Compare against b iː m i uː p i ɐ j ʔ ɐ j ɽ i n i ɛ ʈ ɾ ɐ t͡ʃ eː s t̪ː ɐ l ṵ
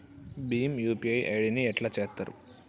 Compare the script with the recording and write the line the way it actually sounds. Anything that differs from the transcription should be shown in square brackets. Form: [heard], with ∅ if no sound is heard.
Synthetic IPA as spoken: b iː m [j] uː p i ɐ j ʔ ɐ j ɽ i n i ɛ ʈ [l] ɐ t͡ʃ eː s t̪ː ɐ [ɾ] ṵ